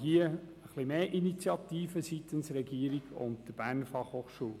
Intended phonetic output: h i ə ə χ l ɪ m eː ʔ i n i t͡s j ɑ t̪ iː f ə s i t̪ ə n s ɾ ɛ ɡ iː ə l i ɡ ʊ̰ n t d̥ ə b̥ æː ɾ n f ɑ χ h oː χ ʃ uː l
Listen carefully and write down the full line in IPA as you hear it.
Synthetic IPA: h i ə ə χ l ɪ m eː ʔ i n i t͡s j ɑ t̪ iː f ə s i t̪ ə n s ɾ ɛ ɡ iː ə ɾ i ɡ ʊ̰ n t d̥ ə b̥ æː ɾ n f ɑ χ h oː χ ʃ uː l